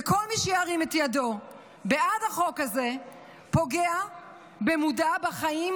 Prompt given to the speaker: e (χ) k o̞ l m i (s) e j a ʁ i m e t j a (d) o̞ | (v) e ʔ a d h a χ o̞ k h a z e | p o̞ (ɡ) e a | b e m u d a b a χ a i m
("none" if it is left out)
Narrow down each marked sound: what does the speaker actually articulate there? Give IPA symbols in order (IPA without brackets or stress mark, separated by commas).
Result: none, ʃ, d, b, ɡ